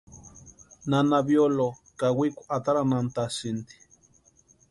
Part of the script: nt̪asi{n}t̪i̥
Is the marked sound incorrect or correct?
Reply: correct